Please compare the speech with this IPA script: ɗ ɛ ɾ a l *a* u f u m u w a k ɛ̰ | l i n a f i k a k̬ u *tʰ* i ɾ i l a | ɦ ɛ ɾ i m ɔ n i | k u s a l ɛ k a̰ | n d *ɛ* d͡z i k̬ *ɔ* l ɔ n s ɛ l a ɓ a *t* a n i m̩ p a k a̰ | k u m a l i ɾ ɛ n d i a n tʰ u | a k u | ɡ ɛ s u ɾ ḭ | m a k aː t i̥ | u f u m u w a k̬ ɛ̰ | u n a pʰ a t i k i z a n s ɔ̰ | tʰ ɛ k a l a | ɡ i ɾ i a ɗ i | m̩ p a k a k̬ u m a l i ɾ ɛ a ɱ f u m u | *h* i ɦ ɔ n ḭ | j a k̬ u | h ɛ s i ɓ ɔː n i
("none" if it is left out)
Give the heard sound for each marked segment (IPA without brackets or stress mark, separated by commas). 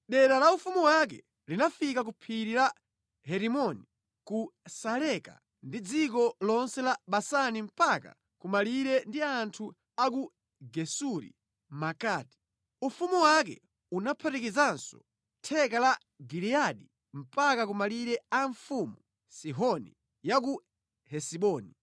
a, pʰ, i, ɔ, s, s